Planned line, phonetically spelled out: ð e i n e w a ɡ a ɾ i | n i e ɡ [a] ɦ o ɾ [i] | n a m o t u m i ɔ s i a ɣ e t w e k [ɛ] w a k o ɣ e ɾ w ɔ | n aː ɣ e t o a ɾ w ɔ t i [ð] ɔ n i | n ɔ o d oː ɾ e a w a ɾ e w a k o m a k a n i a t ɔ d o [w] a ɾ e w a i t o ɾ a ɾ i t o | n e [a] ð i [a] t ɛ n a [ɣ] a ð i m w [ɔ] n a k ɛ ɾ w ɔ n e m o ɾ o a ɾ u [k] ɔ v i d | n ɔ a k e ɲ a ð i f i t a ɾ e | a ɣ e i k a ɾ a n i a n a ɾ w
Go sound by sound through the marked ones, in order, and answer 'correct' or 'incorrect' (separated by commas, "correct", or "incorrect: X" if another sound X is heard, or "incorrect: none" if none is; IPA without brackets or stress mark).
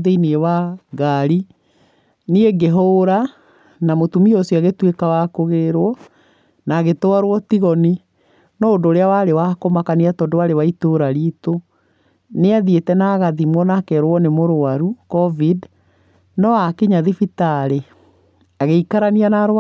incorrect: e, incorrect: a, incorrect: a, incorrect: ɣ, correct, correct, incorrect: e, correct, correct, correct